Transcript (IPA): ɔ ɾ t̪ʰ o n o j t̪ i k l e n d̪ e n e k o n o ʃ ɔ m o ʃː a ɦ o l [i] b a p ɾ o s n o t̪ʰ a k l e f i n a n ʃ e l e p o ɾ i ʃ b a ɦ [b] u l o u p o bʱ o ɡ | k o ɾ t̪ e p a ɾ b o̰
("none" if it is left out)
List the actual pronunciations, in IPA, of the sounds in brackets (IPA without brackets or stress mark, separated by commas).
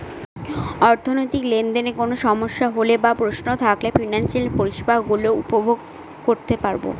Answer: e, ɡ